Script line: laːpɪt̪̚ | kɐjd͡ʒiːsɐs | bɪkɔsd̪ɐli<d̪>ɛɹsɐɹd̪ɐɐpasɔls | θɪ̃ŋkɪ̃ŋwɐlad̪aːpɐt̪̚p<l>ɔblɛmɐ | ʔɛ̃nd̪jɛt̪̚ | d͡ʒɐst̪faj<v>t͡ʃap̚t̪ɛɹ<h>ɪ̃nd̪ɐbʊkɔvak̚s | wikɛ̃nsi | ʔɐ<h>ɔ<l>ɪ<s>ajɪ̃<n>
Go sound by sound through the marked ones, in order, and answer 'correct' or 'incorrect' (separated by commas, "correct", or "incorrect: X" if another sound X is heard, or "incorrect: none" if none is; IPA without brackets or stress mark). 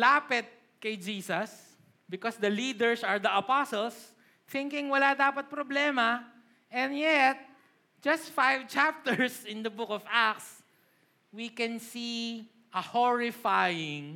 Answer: correct, incorrect: ɾ, correct, incorrect: s, correct, incorrect: ɹ, incorrect: f, incorrect: ŋ